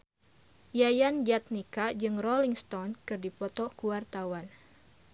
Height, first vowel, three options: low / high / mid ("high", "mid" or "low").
low